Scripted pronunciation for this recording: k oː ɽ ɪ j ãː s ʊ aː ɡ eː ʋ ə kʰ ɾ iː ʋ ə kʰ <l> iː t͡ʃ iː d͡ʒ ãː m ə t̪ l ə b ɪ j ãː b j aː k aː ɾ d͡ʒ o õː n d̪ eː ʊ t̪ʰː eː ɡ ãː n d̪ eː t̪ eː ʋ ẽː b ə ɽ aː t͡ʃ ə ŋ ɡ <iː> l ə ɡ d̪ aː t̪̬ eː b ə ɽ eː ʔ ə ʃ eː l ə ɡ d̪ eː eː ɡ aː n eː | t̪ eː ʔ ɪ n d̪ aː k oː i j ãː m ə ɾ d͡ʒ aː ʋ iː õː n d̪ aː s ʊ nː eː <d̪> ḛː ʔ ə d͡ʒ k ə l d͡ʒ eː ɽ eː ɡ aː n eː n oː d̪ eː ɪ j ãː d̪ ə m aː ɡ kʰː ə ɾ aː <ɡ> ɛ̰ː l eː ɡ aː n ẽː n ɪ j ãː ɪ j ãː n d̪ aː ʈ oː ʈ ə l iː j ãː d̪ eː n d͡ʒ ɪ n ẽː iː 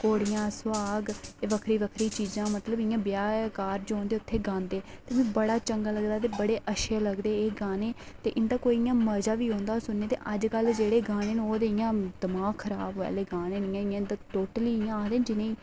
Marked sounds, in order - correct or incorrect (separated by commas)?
incorrect, incorrect, incorrect, incorrect